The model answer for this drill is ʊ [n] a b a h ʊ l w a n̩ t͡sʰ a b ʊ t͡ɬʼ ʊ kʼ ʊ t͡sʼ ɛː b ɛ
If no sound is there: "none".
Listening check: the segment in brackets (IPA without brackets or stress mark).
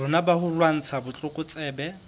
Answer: n